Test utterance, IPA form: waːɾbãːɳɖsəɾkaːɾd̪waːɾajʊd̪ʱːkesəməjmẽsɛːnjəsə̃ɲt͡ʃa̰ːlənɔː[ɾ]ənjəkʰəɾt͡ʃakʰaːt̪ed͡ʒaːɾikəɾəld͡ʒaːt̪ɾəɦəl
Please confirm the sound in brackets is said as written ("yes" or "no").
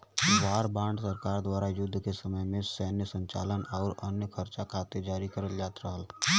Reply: yes